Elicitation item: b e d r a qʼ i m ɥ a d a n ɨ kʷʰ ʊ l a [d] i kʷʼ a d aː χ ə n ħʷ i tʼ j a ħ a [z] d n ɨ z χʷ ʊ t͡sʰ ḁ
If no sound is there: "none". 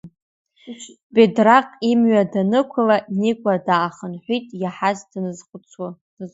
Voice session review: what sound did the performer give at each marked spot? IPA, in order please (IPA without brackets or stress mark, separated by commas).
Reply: n, z